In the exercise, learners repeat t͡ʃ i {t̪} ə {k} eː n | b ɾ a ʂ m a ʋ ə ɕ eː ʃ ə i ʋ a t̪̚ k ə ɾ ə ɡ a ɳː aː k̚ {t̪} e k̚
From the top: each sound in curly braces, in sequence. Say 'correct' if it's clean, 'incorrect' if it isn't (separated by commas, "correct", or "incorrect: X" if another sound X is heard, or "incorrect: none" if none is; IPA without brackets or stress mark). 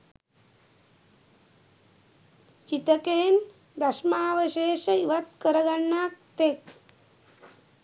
correct, correct, correct